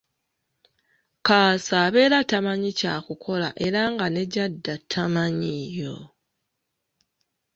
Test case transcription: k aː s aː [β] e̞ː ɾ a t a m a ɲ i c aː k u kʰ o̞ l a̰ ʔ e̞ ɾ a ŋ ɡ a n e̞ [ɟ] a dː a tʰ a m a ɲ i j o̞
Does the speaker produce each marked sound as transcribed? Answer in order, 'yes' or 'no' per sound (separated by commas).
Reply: yes, yes